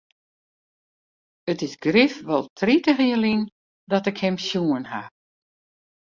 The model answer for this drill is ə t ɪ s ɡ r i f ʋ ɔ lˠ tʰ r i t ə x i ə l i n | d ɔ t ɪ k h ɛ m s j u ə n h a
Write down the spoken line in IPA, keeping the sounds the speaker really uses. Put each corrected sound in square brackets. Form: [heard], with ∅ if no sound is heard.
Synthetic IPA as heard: ə t ɪ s ɡ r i f ʋ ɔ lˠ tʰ r i t ə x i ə l i n | d ɔ t ɪ k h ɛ m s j u ə n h a